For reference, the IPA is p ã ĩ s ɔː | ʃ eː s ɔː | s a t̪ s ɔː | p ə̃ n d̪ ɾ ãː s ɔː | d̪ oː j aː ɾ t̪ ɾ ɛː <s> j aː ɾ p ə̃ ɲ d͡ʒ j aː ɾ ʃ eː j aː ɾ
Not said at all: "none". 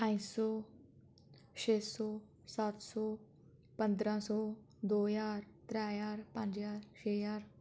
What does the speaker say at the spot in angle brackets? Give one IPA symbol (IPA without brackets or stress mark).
none